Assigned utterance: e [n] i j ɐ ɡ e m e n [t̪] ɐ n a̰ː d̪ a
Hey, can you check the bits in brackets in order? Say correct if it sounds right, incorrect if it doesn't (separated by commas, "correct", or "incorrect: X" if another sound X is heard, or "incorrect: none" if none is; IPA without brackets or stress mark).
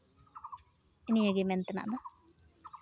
correct, correct